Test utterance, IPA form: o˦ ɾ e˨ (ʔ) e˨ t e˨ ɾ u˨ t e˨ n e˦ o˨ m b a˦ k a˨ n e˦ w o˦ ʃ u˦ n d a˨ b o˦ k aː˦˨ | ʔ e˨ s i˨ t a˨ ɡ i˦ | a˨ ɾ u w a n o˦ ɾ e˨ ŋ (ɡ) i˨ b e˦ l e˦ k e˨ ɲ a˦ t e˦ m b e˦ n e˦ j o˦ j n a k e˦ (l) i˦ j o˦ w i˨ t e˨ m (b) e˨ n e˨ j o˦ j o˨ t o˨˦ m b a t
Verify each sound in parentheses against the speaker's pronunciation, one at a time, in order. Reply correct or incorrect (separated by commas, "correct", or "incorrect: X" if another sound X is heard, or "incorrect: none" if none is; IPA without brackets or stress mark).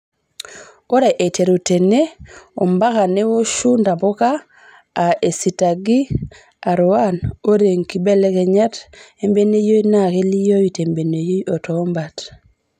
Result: correct, incorrect: k, correct, correct